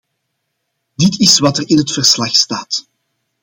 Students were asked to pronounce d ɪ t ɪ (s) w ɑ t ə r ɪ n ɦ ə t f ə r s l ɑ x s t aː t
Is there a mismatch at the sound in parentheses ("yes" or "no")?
no